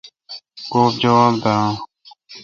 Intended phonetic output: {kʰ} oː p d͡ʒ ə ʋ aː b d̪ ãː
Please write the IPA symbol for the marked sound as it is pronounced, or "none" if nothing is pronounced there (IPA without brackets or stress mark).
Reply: k